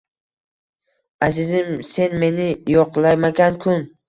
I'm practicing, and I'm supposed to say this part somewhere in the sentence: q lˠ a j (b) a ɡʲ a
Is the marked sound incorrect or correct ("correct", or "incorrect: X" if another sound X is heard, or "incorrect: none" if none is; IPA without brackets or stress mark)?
incorrect: m